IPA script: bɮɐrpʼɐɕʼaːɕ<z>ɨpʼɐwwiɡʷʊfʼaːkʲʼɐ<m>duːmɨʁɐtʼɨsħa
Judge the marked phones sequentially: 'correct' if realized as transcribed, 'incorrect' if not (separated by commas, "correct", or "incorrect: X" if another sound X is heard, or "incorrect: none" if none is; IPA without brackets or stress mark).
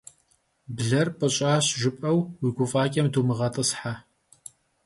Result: incorrect: ʒ, correct